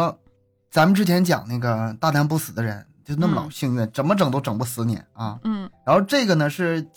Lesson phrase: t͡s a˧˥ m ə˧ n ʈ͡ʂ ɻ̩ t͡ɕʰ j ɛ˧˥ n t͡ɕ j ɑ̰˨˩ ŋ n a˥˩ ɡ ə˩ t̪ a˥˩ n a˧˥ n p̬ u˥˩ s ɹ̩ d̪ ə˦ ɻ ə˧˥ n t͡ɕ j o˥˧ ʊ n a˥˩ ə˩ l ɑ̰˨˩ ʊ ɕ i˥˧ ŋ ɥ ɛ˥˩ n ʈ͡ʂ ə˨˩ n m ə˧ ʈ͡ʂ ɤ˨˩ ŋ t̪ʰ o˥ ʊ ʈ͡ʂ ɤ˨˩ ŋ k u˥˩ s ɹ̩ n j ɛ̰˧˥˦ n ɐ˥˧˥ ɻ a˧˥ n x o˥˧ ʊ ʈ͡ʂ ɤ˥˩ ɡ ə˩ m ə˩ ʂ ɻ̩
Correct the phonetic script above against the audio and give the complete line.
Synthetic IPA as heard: t͡s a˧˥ m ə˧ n ʈ͡ʂ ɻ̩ t͡ɕʰ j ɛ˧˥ n t͡ɕ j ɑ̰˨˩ ŋ n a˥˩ ɡ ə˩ t̪ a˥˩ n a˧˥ n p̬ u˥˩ s ɹ̩ d̪ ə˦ ɻ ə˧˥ n t͡ɕ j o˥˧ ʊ n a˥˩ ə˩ l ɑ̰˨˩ ʊ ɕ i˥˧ ŋ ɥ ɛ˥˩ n ʈ͡ʂ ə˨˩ n m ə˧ ʈ͡ʂ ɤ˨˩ ŋ t̪ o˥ ʊ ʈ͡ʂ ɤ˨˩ ŋ p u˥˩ s ɹ̩ n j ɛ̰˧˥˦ n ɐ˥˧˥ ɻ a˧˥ n x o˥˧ ʊ ʈ͡ʂ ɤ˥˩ ɡ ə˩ n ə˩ ʂ ɻ̩